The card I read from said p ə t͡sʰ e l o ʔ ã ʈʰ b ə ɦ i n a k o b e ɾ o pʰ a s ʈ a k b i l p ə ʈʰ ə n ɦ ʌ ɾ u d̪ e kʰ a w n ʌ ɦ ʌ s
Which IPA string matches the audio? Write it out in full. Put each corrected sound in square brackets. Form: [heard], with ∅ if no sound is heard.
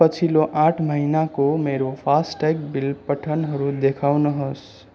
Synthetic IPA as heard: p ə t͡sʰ [i] l o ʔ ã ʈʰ [m] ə ɦ i n a k o [m] e ɾ o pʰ a s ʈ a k b i l p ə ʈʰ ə n ɦ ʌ ɾ u d̪ e kʰ a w n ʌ ɦ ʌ s